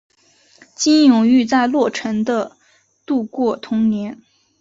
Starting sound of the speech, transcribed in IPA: t͡ɕ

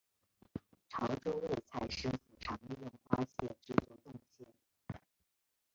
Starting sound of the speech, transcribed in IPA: ʈ͡ʂʰ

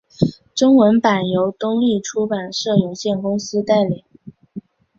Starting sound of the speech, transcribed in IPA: ʈ͡ʂ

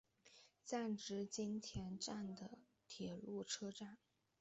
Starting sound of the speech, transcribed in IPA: t͡s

